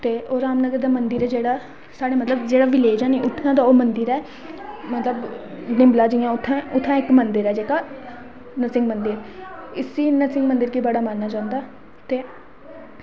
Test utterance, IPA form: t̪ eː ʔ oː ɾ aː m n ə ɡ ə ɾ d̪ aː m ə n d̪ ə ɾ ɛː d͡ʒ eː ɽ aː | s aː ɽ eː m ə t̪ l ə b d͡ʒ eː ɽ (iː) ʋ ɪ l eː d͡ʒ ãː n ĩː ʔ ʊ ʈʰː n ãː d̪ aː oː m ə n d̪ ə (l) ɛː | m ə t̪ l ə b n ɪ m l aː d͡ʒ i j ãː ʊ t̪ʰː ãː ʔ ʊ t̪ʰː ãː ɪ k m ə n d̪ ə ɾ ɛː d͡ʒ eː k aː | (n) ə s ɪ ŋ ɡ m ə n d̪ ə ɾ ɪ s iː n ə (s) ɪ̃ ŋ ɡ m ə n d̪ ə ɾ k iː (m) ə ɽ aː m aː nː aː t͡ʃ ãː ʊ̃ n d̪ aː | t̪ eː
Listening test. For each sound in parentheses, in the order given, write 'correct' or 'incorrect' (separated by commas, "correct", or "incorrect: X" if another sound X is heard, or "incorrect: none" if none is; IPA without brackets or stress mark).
incorrect: aː, incorrect: ɾ, correct, correct, incorrect: b